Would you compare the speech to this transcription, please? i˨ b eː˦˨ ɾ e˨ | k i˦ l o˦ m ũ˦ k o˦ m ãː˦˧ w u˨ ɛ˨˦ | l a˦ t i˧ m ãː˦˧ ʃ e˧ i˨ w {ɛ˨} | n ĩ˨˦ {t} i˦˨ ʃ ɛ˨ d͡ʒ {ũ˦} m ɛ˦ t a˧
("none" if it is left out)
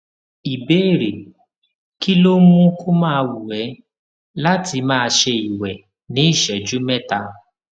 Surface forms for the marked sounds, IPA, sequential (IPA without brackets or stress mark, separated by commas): ɛ˨, none, u˦